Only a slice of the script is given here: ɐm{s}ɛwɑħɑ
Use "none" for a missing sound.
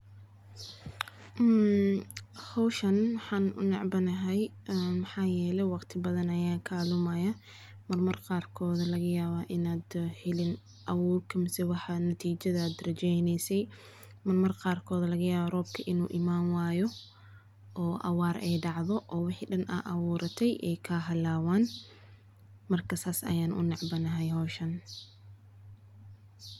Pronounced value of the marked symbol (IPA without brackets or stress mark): s